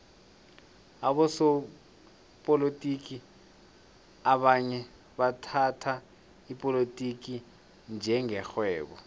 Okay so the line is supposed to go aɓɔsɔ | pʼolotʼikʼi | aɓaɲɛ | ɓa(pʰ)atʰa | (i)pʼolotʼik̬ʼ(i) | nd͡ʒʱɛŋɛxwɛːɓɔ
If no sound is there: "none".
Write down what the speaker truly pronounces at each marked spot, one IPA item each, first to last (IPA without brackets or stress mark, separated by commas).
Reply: tʰ, i, i